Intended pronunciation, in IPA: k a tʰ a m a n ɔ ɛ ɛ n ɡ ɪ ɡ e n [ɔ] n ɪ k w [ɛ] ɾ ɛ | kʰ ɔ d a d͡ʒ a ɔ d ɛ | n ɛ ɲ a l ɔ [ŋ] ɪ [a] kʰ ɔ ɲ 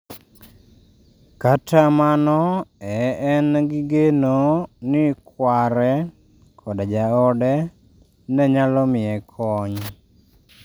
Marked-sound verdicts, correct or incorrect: incorrect, incorrect, incorrect, incorrect

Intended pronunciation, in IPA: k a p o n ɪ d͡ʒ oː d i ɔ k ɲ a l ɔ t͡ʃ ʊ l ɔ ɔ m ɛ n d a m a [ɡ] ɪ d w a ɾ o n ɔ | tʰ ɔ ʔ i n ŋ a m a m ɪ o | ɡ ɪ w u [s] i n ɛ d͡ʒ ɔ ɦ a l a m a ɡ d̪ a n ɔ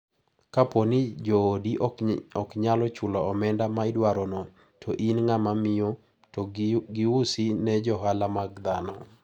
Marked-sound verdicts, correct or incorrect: incorrect, correct

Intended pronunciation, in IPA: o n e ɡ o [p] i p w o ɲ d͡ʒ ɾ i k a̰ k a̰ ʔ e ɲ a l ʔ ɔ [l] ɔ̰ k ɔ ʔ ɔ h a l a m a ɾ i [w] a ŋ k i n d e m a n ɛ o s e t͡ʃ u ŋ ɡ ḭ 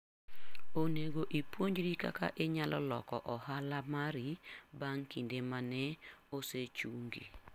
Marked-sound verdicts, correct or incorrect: incorrect, correct, incorrect

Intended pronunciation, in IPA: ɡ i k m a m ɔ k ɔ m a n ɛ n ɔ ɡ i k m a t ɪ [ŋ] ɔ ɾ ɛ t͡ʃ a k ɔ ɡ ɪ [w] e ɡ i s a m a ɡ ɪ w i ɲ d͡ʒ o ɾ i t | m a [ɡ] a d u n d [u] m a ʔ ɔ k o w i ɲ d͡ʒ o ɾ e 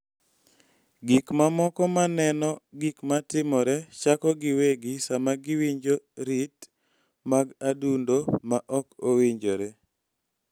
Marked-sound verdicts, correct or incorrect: incorrect, correct, correct, incorrect

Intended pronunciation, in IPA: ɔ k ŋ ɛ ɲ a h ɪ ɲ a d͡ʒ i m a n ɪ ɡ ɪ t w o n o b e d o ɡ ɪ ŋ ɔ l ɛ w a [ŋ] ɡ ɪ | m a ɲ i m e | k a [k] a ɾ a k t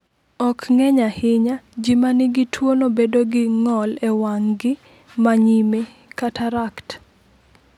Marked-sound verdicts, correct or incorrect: correct, incorrect

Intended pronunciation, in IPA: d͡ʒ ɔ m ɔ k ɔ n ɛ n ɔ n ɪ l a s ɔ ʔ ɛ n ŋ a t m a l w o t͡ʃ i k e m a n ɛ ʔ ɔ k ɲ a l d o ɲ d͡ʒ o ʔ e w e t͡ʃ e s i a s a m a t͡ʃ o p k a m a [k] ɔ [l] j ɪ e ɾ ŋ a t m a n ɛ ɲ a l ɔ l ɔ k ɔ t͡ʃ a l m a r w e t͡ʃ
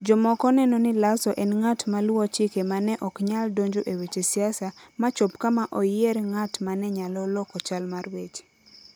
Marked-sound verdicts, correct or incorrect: incorrect, incorrect

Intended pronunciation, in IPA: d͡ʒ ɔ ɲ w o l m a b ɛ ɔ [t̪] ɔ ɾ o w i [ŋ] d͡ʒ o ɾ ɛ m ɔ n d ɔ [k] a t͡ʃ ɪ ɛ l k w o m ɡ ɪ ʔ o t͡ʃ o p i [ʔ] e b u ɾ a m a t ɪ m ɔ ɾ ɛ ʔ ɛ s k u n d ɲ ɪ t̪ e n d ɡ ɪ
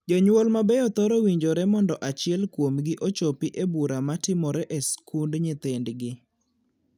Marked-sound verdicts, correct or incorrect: correct, incorrect, incorrect, correct

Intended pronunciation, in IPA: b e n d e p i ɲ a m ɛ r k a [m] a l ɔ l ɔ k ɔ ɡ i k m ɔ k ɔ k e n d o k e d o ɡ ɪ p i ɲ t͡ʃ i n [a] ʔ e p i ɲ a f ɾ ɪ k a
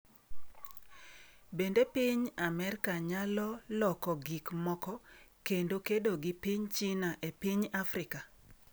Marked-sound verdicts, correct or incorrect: incorrect, correct

